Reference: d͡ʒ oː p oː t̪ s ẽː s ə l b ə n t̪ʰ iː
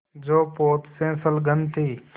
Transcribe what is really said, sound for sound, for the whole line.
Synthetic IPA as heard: d͡ʒ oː p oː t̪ s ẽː s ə l ɡ ə n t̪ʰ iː